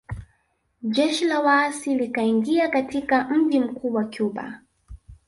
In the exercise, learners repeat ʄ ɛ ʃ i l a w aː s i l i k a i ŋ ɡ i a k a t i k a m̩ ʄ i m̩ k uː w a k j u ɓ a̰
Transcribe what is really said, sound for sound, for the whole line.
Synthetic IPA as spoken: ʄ ɛ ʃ i l a w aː s i l i k a i ŋ ɡ i a k a t i k a m̩ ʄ i m̩ k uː w a k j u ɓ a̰